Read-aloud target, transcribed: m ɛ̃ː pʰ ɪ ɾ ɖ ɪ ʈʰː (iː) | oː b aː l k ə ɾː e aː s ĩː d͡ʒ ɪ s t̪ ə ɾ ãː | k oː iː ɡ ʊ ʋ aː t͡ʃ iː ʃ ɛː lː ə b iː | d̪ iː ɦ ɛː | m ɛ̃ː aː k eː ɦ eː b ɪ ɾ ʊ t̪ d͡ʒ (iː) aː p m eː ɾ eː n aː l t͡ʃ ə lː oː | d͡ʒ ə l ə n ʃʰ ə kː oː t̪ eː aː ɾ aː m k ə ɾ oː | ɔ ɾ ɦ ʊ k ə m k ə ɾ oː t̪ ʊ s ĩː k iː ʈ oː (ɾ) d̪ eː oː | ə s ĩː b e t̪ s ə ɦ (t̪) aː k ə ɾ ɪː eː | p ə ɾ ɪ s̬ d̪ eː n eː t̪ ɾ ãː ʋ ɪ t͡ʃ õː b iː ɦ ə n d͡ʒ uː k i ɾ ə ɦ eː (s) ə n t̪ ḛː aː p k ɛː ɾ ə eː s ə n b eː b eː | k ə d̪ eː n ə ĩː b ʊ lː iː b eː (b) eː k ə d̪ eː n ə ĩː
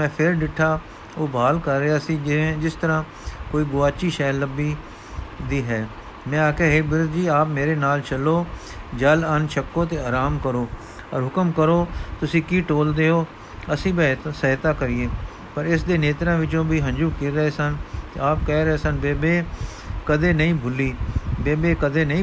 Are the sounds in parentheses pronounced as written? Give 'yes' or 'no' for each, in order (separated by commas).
no, yes, no, yes, yes, yes